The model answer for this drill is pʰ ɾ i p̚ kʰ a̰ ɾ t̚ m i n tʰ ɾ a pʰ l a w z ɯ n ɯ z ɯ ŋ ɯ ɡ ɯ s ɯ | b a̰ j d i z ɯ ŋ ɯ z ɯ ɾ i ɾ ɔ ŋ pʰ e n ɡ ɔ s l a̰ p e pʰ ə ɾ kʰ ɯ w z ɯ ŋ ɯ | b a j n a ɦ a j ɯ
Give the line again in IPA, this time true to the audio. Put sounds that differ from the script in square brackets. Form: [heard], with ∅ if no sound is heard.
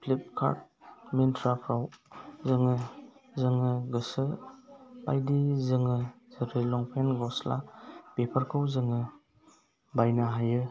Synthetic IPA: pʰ [l] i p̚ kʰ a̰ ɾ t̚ m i n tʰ ɾ a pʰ [ɾ] a w z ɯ [ŋ] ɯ z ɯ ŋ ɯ ɡ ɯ s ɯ | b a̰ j d i z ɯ ŋ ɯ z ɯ ɾ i [l] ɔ ŋ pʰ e n ɡ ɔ s l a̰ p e pʰ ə ɾ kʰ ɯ w z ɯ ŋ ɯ | b a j n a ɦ a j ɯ